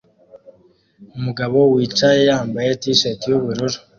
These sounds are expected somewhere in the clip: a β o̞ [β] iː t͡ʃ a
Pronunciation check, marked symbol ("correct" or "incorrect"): incorrect